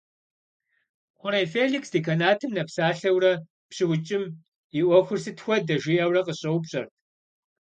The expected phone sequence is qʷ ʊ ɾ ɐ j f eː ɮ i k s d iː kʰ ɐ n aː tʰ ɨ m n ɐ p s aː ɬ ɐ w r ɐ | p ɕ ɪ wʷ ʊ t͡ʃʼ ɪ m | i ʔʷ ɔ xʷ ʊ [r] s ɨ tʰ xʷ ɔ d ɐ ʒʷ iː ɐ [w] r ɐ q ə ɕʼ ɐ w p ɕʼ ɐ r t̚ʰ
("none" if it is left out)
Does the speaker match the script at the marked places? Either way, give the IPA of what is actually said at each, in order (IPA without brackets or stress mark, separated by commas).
r, w